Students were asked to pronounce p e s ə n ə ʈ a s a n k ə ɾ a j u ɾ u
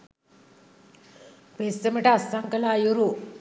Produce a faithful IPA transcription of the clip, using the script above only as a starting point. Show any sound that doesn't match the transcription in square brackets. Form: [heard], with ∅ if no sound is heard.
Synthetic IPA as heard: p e s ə [m] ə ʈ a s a [ŋ] k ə [l] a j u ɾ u